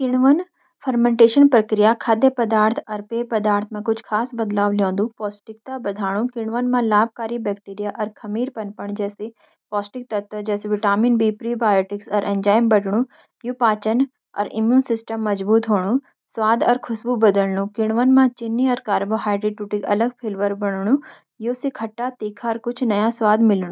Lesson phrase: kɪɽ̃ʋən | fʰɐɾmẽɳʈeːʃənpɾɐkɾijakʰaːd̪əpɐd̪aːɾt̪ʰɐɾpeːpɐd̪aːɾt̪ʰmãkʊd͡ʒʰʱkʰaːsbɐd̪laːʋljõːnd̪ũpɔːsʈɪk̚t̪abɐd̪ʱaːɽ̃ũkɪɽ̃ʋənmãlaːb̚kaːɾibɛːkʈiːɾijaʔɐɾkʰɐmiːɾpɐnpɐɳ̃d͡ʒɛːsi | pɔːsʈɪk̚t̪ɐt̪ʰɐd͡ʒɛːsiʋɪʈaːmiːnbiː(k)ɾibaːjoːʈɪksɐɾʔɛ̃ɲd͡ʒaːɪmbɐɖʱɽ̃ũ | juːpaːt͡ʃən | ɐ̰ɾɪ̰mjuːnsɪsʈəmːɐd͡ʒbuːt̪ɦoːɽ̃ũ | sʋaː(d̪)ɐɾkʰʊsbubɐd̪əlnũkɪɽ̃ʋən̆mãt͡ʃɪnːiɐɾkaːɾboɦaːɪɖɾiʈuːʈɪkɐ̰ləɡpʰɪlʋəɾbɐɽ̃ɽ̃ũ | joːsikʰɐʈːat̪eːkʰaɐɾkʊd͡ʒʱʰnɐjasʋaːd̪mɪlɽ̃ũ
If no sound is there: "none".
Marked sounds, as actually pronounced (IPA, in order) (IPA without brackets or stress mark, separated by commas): p, d̪